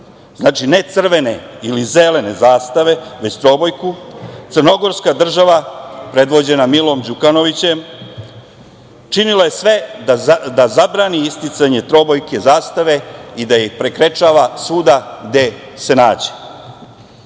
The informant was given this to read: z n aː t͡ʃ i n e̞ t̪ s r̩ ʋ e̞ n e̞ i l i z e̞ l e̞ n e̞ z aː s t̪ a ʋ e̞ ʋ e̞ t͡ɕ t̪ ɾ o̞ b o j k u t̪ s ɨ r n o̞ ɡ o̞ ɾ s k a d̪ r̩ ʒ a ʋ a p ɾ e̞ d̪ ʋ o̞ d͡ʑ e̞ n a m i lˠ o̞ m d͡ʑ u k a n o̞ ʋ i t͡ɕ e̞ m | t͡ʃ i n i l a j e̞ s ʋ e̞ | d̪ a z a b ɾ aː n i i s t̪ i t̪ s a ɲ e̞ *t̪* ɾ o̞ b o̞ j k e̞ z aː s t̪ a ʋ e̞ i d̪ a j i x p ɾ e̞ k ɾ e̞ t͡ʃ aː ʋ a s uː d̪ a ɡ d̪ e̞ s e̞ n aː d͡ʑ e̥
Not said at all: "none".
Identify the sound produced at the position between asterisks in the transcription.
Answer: t̪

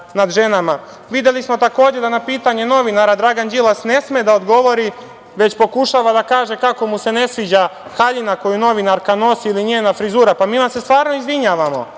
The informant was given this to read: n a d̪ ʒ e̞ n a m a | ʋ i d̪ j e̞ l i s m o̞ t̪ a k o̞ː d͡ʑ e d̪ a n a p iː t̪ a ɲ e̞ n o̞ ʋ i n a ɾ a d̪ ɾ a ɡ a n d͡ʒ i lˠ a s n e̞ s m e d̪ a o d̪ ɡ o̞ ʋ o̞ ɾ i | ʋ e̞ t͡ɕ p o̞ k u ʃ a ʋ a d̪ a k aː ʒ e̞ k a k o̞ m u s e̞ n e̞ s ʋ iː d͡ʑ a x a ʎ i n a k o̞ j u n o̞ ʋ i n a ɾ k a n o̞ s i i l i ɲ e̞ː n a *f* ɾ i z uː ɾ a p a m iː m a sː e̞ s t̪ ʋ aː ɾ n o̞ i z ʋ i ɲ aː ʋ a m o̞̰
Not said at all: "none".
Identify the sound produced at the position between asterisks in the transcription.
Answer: f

